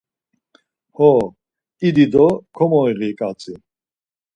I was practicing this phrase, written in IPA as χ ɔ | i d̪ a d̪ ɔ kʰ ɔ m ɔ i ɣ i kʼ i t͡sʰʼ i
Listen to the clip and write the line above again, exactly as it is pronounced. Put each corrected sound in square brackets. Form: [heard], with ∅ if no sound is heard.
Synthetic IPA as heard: [h] ɔ | i d̪ [i] d̪ ɔ kʰ ɔ m ɔ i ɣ i kʼ [a] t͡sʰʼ i

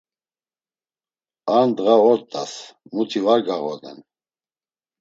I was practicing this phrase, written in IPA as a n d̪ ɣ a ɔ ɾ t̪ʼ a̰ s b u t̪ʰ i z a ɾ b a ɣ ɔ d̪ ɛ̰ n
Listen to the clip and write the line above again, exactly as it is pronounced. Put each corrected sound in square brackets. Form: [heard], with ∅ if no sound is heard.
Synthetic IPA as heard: a n d̪ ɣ a ɔ ɾ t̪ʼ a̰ s [m] u t̪ʰ i [v] a ɾ [ɡ] a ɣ ɔ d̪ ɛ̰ n

